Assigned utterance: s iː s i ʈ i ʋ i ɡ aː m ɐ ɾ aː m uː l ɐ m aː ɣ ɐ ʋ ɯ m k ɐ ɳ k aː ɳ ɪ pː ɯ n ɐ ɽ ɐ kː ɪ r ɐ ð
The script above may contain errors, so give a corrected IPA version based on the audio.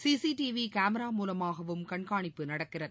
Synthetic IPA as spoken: s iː s i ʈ i ʋ i k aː m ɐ ɾ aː m uː l ɐ m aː ɣ ɐ ʋ ɯ m k ɐ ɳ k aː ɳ ɪ pː ɯ n ɐ ɽ ɐ kː ɪ r ɐ ð

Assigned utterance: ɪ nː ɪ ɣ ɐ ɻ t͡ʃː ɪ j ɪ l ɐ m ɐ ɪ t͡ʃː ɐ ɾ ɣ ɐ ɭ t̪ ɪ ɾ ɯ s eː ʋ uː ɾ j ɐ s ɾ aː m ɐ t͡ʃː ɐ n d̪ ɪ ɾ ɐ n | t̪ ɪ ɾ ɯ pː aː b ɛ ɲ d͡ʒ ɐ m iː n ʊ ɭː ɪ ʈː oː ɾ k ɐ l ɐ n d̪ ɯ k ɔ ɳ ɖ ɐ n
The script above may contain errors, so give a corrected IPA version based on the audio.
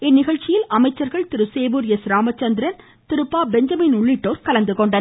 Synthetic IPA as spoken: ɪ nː ɪ ɣ ɐ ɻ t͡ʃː ɪ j ɪ l ɐ m ɐ ɪ t͡ʃː ɐ ɾ ɣ ɐ ɭ t̪ ɪ ɾ ɯ s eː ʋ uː ɾ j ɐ s ɾ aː m ɐ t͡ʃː ɐ n d̪ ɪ ɾ ɐ n | t̪ ɪ ɾ ɯ pː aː b ɛ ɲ d͡ʒ ɐ m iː n ʊ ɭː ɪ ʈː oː ɾ k ɐ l ɐ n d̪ ɯ k ɔ ɳ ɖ ɐ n

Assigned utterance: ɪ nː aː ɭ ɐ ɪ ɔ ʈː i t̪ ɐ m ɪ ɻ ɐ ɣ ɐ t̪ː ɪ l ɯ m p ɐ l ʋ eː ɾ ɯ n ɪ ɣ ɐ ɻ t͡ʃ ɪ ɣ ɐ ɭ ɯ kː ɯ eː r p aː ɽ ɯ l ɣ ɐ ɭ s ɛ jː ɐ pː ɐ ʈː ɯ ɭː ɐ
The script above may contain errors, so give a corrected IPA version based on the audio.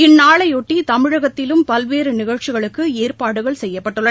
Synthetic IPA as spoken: ɪ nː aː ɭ ɐ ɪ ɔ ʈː i t̪ ɐ m ɪ ɻ ɐ ɣ ɐ t̪ː ɪ l ɯ m p ɐ l ʋ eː ɾ ɯ n ɪ ɣ ɐ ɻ t͡ʃ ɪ ɣ ɐ ɭ ɯ kː ɯ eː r p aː ɽ ɯ ɣ ɐ ɭ s ɛ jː ɐ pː ɐ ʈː ɯ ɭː ɐ

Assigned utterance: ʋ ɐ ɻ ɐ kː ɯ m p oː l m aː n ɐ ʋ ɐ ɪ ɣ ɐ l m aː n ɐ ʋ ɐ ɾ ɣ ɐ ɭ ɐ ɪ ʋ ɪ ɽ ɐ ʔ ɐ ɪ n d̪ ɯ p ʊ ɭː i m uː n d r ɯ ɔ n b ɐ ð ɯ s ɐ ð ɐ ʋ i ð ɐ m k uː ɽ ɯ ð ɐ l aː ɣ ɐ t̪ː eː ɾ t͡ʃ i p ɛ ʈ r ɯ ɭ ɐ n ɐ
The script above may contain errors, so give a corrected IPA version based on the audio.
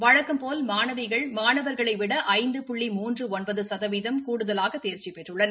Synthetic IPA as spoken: ʋ ɐ ɻ ɐ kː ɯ m p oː l m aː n ɐ ʋ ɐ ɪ ɣ ɐ ɭ m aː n ɐ ʋ ɐ ɾ ɣ ɐ ɭ ɐ ɪ ʋ ɪ ɽ ɐ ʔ ɐ ɪ n d̪ ɯ p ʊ ɭː i m uː n d r ɯ ɔ n b ɐ ð ɯ s ɐ ð ɐ ʋ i ð ɐ m k uː ɽ ɯ ð ɐ l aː ɣ ɐ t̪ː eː ɾ t͡ʃ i p ɛ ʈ r ɯ ɭː ɐ n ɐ

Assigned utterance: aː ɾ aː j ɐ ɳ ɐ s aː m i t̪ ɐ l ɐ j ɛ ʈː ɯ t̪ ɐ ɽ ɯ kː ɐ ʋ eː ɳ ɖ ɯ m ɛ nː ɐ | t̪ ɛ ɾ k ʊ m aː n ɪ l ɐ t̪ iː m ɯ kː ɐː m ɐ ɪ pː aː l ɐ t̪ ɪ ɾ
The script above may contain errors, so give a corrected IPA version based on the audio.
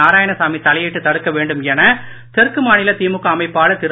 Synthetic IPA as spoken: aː ɾ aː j ɐ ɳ ɐ s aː m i t̪ ɐ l ɐ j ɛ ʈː ɯ t̪ ɐ ɽ ɯ kː ɐ ʋ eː ɳ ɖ ɯ m ɛ n ɐ | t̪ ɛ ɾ k ɯ m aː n ɪ l ɐ t̪ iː m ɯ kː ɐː m ɐ ɪ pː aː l ɐ t̪ ɪ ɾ

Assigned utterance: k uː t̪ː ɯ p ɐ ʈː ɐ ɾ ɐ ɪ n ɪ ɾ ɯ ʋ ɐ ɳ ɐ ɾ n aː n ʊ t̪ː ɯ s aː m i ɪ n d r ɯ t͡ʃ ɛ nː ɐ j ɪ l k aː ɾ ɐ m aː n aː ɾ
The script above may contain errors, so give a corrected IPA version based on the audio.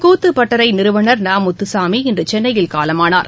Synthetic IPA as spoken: k uː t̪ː ɯ p ɐ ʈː ɐ ɾ ɐ ɪ n ɪ ɾ ɯ ʋ ɐ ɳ ɐ ɾ n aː m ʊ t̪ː ɯ s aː m i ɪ n d r ɯ t͡ʃ ɛ nː ɐ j ɪ l k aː l ɐ m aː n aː ɾ

